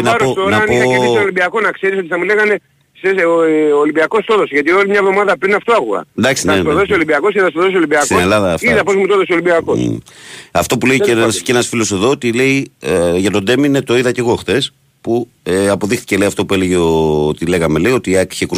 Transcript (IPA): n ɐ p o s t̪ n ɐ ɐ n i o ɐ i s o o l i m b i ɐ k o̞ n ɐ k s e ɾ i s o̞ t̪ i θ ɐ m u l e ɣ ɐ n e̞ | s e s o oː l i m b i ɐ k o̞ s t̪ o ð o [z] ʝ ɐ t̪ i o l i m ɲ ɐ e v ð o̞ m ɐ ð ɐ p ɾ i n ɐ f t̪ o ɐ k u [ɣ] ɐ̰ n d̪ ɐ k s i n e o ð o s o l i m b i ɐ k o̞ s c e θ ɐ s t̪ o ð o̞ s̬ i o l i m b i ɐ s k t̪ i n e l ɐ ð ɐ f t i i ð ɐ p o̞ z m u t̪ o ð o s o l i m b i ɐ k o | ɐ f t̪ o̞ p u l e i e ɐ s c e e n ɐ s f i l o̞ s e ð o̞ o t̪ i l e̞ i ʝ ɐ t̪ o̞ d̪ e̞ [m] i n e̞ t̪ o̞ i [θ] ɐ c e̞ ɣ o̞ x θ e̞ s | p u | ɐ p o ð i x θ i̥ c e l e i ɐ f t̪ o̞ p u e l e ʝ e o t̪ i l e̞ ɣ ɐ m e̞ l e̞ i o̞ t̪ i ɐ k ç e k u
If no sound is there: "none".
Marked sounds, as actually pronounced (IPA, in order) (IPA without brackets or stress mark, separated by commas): s, ɣ, m, ð